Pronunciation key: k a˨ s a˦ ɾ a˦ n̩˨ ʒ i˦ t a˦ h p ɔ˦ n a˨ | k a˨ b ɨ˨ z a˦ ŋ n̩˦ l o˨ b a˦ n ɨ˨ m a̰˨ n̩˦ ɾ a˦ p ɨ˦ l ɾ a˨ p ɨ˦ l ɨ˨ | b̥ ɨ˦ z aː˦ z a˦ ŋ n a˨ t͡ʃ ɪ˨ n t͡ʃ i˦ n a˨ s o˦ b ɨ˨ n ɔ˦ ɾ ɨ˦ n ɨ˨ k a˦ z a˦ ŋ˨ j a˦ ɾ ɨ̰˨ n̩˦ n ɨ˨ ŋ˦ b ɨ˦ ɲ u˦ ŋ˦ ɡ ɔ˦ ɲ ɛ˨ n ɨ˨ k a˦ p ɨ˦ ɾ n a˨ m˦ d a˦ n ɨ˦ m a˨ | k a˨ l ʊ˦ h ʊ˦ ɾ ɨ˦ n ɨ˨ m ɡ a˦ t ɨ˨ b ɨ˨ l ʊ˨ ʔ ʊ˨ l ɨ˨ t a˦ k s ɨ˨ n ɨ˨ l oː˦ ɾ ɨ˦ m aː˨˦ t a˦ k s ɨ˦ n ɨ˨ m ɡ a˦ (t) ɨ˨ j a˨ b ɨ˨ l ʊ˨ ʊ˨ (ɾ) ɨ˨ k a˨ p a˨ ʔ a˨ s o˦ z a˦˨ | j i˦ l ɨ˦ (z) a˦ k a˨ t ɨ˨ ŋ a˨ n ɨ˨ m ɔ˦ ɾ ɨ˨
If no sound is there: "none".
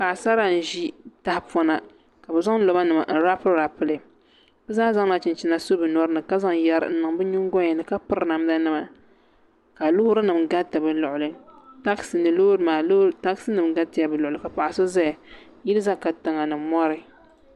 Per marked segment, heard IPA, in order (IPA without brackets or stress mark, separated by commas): t, l, z